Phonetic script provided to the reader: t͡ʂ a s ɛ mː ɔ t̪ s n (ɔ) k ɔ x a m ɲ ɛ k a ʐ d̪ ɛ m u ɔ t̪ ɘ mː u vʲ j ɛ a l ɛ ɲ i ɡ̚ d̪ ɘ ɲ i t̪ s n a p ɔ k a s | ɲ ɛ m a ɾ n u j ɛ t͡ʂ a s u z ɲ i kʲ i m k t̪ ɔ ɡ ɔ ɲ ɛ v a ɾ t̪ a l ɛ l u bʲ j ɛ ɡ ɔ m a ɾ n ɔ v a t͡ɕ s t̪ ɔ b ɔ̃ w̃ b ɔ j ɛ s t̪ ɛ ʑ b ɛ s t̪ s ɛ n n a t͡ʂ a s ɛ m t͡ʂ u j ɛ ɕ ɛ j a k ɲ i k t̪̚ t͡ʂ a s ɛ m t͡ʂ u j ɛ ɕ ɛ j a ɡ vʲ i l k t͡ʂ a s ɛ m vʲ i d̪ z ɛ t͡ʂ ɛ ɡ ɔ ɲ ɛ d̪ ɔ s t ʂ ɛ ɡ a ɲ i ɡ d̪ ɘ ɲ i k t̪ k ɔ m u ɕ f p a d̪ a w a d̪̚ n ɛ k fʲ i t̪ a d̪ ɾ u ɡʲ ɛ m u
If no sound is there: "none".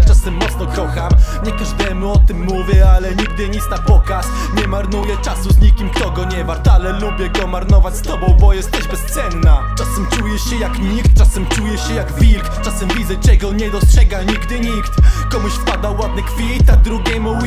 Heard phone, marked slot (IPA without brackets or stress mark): ɔ